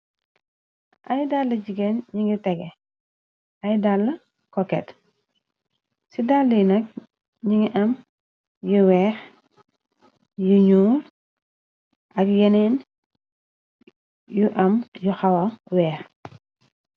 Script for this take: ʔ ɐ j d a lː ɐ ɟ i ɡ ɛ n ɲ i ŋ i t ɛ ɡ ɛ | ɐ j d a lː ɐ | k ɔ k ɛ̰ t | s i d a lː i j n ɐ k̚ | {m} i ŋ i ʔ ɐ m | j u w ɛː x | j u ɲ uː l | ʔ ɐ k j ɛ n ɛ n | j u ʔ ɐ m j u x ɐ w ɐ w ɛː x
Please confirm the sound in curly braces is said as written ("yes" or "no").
no